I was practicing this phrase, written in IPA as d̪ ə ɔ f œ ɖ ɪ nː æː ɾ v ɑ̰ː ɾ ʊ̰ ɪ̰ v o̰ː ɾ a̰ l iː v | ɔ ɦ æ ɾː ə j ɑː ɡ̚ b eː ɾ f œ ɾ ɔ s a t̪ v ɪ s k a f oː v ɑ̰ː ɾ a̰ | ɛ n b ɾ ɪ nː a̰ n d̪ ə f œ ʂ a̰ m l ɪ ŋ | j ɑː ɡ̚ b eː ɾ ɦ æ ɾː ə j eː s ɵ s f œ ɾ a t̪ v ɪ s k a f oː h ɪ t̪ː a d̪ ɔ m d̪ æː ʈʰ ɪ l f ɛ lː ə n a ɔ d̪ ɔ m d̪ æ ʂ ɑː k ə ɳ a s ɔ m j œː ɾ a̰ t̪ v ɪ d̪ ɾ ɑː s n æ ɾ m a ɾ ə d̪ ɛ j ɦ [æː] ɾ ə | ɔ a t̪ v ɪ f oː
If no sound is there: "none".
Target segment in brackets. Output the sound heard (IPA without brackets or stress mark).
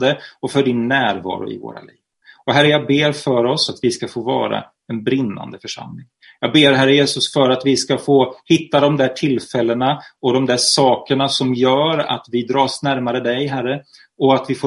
æ